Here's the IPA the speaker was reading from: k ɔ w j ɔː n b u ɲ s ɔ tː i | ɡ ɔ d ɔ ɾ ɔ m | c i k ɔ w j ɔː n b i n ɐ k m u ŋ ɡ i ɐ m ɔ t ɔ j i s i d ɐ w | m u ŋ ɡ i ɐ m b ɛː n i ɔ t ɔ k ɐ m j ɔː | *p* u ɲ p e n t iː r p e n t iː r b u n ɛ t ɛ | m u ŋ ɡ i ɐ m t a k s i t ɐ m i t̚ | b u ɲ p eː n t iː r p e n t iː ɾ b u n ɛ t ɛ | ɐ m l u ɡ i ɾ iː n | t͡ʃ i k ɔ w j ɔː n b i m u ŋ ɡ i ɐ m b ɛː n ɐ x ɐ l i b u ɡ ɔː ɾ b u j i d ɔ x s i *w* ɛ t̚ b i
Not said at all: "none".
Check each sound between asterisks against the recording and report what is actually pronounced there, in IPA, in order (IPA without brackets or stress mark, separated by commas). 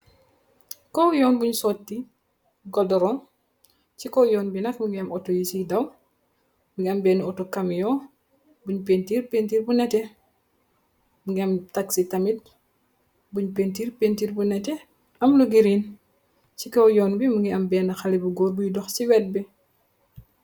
b, w